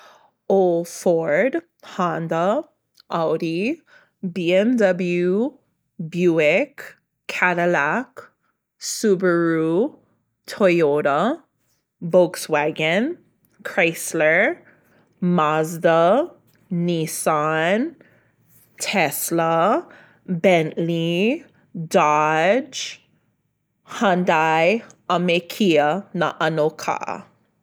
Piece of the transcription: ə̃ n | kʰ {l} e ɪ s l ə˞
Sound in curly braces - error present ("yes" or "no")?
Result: yes